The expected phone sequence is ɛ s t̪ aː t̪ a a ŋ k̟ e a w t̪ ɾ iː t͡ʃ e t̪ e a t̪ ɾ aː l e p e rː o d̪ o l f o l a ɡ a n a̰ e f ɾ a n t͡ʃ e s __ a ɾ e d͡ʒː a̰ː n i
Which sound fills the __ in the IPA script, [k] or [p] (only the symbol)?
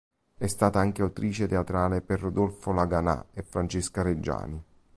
k